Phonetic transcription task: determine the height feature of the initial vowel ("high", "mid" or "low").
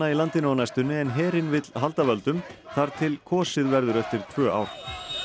low